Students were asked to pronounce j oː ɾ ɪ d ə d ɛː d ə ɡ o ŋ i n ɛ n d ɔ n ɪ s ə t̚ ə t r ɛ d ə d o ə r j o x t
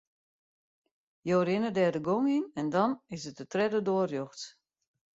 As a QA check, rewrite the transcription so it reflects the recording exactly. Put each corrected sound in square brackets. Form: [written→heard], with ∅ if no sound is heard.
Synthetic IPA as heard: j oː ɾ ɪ [d→n] ə d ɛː d ə ɡ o ŋ i n ɛ n d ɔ n ɪ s ə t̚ ə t r ɛ d ə d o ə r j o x t

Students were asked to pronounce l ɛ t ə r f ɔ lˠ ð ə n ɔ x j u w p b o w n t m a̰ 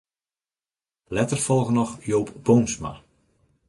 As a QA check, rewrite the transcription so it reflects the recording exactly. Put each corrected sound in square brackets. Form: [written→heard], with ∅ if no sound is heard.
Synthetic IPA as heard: l ɛ t ə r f ɔ lˠ [ð→ɣ] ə n ɔ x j [u→o] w p b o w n [t→s] m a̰

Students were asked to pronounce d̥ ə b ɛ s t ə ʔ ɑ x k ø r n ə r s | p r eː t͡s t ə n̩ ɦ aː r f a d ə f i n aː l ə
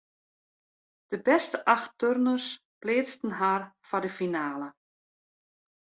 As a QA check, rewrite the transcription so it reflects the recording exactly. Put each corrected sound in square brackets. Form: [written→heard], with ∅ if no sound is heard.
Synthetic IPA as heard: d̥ ə b ɛ s t ə ʔ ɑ x [k→t] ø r n ə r s | p [r→l] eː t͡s t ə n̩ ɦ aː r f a d ə f i n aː l ə

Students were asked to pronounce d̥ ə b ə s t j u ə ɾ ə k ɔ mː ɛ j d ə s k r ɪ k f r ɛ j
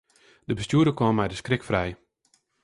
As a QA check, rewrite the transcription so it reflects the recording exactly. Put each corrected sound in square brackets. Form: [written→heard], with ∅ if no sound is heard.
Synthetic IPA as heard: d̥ ə b ə s t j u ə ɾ ə k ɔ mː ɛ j d ə s k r ɪ k f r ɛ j

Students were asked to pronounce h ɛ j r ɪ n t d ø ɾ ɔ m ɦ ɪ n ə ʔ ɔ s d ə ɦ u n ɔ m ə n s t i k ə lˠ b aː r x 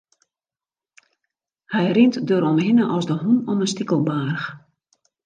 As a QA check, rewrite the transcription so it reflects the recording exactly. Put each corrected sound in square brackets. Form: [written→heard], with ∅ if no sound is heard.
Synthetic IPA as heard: h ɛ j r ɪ n t d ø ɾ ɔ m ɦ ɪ n ə ʔ ɔ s d ə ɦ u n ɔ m ə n s t i k ə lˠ b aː r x

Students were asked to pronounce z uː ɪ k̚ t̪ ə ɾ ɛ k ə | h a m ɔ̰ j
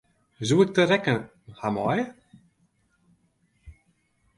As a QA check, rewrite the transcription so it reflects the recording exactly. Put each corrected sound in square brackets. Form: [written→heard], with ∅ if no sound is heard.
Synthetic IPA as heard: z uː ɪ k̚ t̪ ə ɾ ɛ k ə | h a m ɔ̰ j

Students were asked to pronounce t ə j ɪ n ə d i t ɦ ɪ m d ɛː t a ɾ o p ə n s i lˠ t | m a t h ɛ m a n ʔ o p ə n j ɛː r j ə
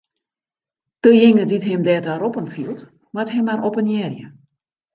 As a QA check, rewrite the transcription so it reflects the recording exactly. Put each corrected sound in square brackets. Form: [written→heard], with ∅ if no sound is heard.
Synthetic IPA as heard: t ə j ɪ [n→ŋ] ə d i t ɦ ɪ m d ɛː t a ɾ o p ə n [s→f] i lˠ t | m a t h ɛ m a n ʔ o p ə n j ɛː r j ə

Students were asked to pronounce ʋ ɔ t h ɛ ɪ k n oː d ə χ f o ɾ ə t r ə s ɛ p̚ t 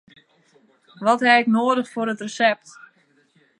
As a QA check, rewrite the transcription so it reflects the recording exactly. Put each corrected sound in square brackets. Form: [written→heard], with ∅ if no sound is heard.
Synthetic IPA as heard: ʋ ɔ t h ɛ ɪ k n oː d ə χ f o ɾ ə t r ə s ɛ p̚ t

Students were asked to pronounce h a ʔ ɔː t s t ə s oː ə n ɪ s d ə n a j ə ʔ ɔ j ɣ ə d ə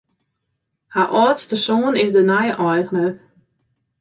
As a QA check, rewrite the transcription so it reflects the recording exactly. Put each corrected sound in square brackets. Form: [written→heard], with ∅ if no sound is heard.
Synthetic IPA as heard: h a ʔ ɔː t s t ə s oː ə n ɪ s d ə n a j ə ʔ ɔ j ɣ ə [d→n] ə

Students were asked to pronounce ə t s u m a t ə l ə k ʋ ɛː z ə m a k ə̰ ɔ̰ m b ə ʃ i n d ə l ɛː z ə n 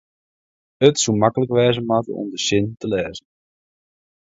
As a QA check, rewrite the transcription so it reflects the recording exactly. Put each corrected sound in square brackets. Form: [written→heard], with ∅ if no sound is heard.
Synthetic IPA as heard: ə t s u m a [t→k] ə l ə k ʋ ɛː z ə m a [k→t] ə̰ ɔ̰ m [b→d] ə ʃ [i→ɪ] n [d→t] ə l ɛː z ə n

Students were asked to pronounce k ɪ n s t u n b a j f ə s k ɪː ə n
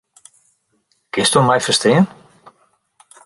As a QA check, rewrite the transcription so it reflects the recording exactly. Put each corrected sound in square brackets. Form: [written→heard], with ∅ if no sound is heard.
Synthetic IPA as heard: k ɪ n s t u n [b→m] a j f ə s [k→t] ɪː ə n

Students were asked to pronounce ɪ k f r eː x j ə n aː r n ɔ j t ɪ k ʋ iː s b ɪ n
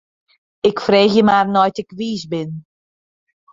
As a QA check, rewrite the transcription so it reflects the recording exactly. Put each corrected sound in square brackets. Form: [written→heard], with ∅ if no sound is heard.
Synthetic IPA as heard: ɪ k f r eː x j ə [n→m] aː r n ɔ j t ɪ k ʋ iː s b ɪ n

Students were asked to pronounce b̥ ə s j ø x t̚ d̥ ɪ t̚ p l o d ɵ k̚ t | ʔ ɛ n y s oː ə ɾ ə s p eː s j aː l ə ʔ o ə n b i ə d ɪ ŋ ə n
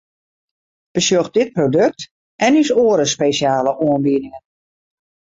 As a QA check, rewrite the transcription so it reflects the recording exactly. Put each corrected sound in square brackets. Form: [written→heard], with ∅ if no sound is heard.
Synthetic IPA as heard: b̥ ə s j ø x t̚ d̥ ɪ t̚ p [l→r] o d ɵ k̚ t | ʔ ɛ n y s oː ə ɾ ə s p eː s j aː l ə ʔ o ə n b i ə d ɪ ŋ ə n

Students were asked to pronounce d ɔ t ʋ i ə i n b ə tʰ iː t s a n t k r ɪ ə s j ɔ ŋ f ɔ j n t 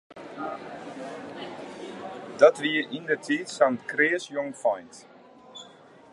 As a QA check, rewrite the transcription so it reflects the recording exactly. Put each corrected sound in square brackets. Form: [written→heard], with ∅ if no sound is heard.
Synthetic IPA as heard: d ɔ t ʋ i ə i n [b→d] ə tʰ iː t s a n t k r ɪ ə s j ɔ ŋ f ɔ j n t

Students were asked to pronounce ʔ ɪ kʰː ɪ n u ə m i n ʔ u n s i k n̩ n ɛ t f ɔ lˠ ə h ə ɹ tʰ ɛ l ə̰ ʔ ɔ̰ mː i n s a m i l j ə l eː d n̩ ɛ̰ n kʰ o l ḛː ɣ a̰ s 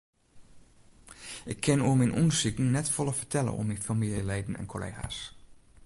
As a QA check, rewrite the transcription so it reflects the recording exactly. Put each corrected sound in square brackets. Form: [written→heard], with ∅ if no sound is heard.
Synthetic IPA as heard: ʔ ɪ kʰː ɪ n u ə m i n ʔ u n s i k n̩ n ɛ t f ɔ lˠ ə [h→f] ə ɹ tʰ ɛ l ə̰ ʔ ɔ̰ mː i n [s→f] a m i l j ə l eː d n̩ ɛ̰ n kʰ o l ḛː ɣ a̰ s

